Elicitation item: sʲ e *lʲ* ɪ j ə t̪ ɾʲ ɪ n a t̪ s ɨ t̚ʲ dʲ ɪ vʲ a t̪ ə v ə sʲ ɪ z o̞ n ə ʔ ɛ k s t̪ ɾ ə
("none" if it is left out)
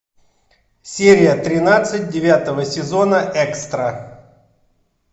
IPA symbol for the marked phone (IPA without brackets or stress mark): ɾʲ